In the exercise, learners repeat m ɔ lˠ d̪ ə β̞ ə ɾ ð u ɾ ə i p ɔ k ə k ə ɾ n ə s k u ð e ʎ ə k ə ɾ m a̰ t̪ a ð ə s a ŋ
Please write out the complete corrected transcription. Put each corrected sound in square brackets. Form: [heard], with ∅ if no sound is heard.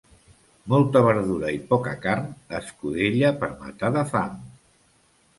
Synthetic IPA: m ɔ lˠ [t̪] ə β̞ ə ɾ ð u ɾ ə i p ɔ k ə k [a] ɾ n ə s k u ð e ʎ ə [p] ə ɾ m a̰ t̪ a ð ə [f] a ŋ

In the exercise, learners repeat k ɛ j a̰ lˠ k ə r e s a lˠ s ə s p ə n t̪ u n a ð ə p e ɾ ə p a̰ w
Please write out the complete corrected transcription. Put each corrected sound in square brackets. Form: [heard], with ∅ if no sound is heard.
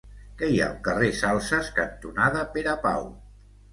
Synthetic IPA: k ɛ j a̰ lˠ k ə r e s a lˠ s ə s [k] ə n t̪ u n a ð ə p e ɾ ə p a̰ w

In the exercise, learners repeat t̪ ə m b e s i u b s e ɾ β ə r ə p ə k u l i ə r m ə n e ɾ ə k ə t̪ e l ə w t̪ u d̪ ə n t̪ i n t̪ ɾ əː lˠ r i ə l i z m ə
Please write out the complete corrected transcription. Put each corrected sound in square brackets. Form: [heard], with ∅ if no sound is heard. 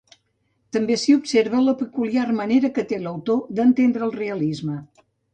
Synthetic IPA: t̪ ə m b e s i u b s e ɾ β ə [l] ə p ə k u l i [a] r m ə n e ɾ ə k ə t̪ e l ə w t̪ [o] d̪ ə n t̪ [e] n [d̪] ɾ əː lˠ r [e] ə l i z m ə

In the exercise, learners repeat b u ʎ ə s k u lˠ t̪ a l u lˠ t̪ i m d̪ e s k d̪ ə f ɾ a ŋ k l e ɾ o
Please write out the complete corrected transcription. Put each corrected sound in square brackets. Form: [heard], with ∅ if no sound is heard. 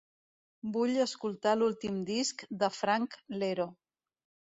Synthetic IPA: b u ʎ ə s k u lˠ t̪ a l u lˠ t̪ i m d̪ [i] s k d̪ ə f ɾ a ŋ k l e ɾ o

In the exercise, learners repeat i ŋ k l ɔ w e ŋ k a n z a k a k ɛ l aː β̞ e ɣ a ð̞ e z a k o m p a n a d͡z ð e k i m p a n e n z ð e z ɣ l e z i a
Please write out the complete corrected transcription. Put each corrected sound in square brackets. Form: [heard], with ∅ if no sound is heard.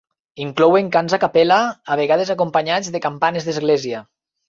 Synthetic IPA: i ŋ k l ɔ w e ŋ k a n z a k a [p] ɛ l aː β̞ e ɣ a ð̞ e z a k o m p a [ɲ] a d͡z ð e k [a] m p a n e [∅] z ð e z ɣ l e z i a

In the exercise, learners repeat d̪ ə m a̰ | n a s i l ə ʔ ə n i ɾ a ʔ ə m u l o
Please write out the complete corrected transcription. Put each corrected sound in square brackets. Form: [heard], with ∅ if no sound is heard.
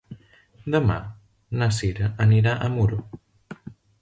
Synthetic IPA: d̪ ə m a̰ | n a s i [ɾ] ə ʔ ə n i ɾ a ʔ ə m u [ɾ] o

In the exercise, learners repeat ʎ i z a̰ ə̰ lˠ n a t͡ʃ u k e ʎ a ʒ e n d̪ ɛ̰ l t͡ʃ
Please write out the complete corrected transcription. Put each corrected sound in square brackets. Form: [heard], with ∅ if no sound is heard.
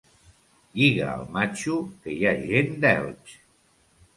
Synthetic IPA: ʎ i [ɣ] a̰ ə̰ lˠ [m] a t͡ʃ u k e [j] a ʒ e n d̪ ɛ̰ l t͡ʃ

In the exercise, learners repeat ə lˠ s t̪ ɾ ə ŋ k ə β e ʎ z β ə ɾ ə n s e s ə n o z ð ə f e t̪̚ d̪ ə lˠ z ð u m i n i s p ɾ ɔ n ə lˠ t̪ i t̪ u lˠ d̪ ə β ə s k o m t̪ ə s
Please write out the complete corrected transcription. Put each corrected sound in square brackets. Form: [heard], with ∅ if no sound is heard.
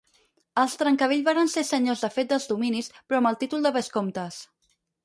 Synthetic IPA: ə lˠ s t̪ ɾ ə ŋ k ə β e ʎ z β [a] ɾ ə n s e s ə [ɲ] o z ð ə f e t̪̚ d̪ ə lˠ z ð u m i n i s p ɾ ɔ [m] ə lˠ t̪ i t̪ u lˠ d̪ ə β ə s k o m t̪ ə s

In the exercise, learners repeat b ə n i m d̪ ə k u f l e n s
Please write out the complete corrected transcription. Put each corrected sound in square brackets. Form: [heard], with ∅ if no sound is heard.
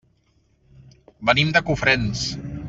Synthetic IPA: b ə n i m d̪ ə k u f [ɾ] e n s

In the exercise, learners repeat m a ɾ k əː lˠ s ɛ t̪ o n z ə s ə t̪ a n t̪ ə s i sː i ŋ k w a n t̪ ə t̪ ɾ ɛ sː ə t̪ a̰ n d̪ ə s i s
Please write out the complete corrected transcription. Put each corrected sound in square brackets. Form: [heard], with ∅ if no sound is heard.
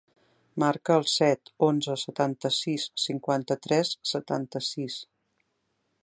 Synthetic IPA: m a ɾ k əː lˠ s ɛ t̪ o n z ə s ə t̪ a n t̪ ə s i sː i ŋ k w a n t̪ ə t̪ ɾ ɛ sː ə t̪ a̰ n [t̪] ə s i s

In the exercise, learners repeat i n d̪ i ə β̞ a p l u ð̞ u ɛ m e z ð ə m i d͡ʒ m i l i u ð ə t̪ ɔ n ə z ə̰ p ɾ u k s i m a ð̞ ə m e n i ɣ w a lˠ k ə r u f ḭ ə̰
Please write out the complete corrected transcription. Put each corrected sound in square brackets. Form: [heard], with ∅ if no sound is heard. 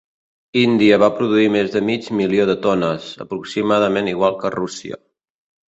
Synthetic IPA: i n d̪ i ə β̞ a p [ɾ] u ð̞ u [i] m e z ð ə m i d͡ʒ m i l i [o] ð ə t̪ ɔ n ə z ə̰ p ɾ u k s i m a ð̞ ə m e n i ɣ w a lˠ k ə r u [s] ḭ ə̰

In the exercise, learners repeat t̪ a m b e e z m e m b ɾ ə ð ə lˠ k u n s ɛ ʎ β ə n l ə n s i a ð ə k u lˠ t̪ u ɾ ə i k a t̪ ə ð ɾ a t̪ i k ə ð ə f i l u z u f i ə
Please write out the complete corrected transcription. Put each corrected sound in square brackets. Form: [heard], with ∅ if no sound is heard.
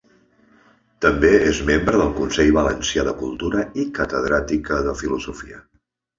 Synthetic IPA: t̪ [ə] m b e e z m e m b ɾ ə ð ə lˠ k u n s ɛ ʎ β ə [∅] l ə n s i a ð ə k u lˠ t̪ u ɾ ə i k [ə] t̪ ə ð ɾ a t̪ i k ə ð ə f i l u z u f i ə

